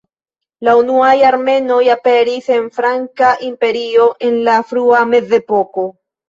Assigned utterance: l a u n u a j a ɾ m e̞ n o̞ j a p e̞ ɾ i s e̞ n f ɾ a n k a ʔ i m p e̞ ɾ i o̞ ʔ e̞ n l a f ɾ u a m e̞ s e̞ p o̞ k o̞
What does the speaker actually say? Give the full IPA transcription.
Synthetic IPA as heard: l a u n u a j a ɾ m e̞ n o̞ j a p e̞ ɾ i s e̞ n f ɾ a ŋ k a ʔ i m p e̞ ɾ i o̞ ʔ e̞ n l a f ɾ u a m e̞ z e̞ p o̞ k o̞